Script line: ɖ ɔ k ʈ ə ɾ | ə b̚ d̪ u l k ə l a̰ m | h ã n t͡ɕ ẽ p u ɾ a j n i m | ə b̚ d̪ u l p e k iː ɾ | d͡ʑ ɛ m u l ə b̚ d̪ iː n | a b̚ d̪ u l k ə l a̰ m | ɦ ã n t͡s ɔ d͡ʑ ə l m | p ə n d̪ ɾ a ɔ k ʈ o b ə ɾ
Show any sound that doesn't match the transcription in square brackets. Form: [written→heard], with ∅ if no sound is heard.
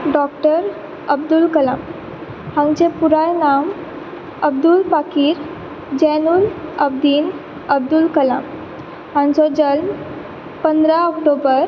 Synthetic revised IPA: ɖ ɔ k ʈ ə ɾ | ə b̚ d̪ u l k ə l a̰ m | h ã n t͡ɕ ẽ p u ɾ a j n [i→a] m | ə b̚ d̪ u l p [e→a] k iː ɾ | d͡ʑ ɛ [m→n] u l ə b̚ d̪ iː n | [a→ə] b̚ d̪ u l k ə l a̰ m | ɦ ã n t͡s ɔ d͡ʑ ə l m | p ə n d̪ ɾ a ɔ k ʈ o b ə ɾ